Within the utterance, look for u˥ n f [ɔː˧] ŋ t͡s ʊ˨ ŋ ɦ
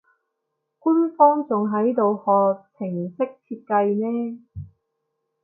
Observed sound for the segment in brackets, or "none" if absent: ɔː˥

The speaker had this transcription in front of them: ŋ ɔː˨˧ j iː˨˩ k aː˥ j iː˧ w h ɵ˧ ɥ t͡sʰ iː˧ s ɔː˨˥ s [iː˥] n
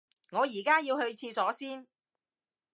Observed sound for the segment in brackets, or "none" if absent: iː˥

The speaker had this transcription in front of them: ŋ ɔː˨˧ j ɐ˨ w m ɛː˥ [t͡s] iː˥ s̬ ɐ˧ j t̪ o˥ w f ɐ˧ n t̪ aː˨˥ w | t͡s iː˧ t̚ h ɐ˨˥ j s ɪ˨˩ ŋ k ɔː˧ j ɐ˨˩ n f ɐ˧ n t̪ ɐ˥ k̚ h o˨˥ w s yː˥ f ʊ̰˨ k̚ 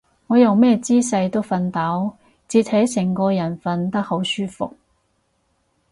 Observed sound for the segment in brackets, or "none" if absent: t͡s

